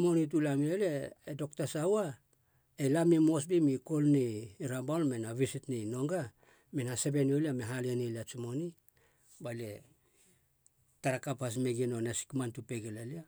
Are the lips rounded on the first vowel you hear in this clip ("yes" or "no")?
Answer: yes